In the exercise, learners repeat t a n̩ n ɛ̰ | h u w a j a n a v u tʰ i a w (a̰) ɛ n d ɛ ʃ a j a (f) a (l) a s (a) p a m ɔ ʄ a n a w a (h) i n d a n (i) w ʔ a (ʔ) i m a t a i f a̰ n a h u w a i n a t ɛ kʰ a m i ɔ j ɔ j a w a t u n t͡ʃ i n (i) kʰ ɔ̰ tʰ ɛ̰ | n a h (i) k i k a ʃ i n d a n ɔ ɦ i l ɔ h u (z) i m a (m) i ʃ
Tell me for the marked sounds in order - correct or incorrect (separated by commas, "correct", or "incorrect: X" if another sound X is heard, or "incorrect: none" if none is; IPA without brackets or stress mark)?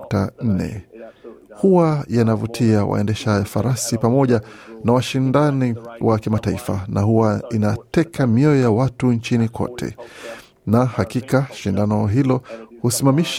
correct, correct, incorrect: ɾ, incorrect: i, incorrect: ʃ, correct, incorrect: k, correct, incorrect: a, incorrect: s, correct